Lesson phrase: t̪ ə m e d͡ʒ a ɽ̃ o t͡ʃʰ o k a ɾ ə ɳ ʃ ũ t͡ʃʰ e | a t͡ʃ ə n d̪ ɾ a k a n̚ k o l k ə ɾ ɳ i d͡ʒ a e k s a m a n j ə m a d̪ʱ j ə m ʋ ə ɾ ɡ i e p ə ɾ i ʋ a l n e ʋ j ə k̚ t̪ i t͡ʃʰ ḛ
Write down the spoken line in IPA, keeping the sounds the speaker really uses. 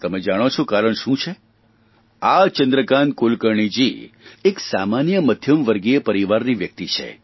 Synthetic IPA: t̪ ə m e d͡ʒ a ɽ̃ o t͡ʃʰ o k a ɾ ə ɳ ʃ ũ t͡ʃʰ e | a t͡ʃ ə n d̪ ɾ ə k a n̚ k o l k ə ɾ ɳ i d͡ʒ i e k s a m a n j ə m ə d̪ʱ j ə m ʋ ə ɾ ɡ i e p ə ɾ i ʋ a ɾ n i ʋ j ə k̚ t̪ i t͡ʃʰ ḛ